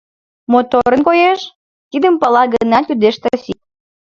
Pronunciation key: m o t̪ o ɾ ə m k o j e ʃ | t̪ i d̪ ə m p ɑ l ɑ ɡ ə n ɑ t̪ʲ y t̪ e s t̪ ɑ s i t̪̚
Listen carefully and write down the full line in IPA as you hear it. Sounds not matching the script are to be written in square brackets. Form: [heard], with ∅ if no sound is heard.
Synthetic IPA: m o t̪ o ɾ ə [n] k o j e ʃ | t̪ i d̪ ə m p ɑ l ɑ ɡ ə n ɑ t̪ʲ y [d̪] e [ʃ] t̪ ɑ s i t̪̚